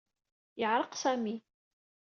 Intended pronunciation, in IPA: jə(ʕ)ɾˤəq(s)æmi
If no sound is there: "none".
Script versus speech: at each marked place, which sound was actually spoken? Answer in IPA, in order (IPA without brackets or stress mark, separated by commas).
ʕ, s